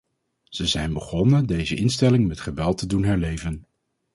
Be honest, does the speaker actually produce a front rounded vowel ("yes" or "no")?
no